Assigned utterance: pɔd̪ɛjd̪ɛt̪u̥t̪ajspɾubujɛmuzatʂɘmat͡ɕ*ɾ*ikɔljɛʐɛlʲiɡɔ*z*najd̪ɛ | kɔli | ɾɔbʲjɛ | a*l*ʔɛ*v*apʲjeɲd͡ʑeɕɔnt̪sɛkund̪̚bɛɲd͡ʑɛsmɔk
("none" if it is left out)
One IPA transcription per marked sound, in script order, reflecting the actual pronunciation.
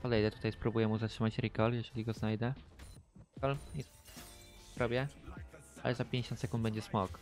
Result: ɾ, z, l, z

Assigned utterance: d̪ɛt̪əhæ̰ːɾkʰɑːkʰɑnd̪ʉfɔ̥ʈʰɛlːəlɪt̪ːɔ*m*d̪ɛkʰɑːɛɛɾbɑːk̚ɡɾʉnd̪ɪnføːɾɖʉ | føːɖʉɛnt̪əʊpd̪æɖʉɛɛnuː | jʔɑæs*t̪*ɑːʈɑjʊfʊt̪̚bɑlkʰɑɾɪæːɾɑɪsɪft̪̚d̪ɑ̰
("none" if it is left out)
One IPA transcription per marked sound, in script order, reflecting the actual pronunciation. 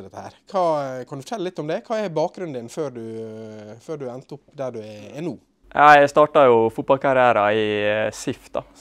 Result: m, t̪

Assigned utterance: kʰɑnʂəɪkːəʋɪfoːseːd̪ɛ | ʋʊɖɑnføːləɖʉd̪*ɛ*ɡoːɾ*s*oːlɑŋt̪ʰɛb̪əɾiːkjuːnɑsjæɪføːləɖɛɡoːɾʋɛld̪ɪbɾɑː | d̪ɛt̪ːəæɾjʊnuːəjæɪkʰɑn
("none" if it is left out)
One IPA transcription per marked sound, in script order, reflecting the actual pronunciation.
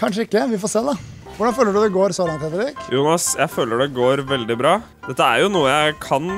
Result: ɛ, s

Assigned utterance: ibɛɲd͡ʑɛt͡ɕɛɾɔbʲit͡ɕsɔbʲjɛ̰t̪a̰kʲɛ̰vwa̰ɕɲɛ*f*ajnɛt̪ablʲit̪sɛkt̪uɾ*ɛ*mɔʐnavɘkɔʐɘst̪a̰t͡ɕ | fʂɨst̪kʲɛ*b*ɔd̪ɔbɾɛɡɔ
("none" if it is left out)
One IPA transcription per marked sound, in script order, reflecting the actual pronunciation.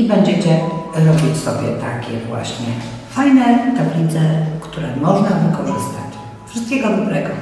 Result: f, ɛ, ɡ

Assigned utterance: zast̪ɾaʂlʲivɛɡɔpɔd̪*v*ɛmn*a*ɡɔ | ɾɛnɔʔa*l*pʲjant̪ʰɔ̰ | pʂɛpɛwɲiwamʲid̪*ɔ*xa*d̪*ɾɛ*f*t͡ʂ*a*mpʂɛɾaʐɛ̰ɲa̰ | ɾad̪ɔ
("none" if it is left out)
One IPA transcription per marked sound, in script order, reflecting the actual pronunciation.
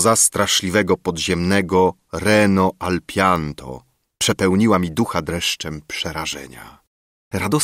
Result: ʑ, ɛ, l, u, d̪, ʂ, ɛ

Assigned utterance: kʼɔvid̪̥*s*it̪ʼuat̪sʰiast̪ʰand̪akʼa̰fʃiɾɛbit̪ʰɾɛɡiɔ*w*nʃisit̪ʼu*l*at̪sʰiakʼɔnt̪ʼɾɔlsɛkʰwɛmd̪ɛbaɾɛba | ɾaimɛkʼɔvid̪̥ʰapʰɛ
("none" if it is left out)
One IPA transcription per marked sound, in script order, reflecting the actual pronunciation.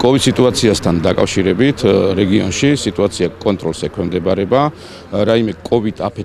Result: s, none, none

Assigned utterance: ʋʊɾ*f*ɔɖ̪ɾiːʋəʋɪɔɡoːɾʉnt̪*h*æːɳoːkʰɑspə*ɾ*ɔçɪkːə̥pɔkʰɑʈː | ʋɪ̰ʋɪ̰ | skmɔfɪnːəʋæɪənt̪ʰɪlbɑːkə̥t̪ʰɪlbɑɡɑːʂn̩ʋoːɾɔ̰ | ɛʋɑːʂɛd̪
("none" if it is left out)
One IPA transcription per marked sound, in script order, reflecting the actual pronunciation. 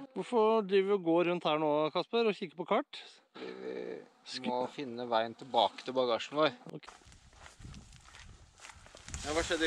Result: f, h, ɾ

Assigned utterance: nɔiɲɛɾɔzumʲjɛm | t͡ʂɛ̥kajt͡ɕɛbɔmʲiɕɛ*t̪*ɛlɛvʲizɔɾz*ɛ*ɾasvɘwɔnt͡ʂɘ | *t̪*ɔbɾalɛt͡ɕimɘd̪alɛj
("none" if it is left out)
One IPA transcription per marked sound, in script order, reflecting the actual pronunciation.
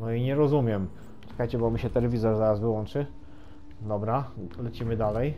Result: t̪, a, d̪

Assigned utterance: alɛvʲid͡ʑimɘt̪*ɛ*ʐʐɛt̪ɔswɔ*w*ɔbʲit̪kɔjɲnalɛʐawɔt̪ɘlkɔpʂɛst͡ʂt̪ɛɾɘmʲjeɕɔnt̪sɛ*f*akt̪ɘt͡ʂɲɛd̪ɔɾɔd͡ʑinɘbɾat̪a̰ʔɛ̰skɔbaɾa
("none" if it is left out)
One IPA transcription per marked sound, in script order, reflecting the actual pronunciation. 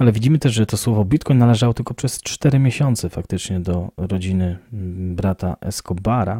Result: ɛ, v, f

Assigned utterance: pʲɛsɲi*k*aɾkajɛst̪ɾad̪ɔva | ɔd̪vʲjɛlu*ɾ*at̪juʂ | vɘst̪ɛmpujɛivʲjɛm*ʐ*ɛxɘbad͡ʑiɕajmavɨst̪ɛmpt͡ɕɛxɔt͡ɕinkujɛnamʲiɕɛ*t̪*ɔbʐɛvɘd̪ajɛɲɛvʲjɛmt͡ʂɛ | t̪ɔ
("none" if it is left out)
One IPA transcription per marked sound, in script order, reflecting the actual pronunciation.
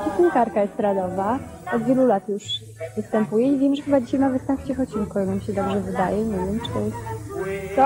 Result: k, l, ʐ, d̪

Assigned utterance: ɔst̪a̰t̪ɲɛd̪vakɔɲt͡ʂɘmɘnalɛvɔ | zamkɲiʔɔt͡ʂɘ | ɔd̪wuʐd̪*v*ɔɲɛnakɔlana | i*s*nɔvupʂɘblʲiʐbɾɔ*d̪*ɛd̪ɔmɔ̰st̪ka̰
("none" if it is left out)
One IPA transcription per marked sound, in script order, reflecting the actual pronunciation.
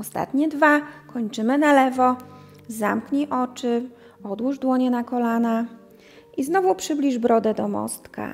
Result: w, z, d̪

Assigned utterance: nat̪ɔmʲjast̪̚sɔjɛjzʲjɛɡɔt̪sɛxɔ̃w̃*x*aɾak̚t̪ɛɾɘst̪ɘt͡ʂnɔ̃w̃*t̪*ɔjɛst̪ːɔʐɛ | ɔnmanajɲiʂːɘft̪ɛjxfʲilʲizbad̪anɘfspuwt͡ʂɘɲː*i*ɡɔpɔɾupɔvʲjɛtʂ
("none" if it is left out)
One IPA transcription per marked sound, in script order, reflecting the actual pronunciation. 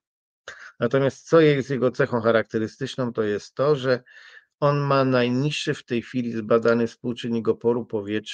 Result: x, t̪, i

